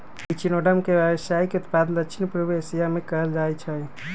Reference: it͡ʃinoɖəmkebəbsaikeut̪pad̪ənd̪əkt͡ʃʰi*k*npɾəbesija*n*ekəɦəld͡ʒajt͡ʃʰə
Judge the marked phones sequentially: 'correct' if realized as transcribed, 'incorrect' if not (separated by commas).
incorrect, incorrect